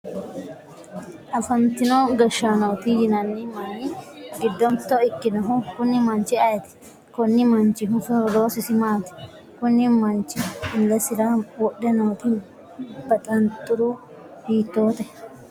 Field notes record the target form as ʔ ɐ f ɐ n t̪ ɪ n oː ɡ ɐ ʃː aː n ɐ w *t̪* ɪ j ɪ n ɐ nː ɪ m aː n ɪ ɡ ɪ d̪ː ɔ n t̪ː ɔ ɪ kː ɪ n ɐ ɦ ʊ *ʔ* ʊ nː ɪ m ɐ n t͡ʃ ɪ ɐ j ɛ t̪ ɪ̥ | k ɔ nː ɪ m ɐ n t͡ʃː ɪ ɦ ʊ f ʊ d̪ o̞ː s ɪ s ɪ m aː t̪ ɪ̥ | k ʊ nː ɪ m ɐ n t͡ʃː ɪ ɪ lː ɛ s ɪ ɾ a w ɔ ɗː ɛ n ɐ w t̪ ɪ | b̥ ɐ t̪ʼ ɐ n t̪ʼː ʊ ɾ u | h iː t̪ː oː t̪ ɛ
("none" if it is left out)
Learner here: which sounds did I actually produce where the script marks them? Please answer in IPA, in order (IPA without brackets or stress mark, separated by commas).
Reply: t̪, k